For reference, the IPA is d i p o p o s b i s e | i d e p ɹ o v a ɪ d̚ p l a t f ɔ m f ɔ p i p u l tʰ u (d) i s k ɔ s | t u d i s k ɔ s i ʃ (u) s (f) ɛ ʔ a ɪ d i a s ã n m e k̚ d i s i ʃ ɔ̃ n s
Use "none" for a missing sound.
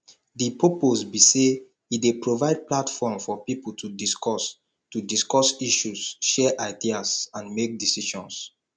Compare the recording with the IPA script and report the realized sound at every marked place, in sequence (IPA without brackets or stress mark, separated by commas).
d, u, ʃ